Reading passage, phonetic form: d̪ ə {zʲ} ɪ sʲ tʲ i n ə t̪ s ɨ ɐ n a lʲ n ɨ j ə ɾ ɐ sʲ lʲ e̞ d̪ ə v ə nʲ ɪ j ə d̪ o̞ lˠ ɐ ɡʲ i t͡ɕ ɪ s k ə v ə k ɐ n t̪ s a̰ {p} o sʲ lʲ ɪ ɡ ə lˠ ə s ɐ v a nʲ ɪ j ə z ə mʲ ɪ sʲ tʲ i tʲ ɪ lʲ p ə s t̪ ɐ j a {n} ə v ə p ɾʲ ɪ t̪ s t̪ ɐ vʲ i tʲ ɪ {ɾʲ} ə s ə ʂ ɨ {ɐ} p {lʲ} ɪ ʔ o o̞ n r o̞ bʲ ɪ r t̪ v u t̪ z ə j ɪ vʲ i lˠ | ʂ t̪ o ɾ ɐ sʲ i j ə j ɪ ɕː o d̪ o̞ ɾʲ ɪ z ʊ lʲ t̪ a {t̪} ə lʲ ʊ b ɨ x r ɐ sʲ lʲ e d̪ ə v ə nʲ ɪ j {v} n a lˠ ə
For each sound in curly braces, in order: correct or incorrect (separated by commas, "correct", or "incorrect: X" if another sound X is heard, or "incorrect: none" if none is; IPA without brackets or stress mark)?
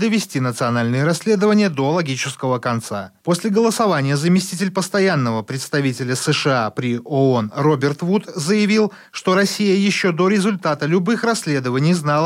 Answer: incorrect: vʲ, correct, incorrect: nː, incorrect: lʲ, incorrect: a, incorrect: ɾʲ, correct, incorrect: z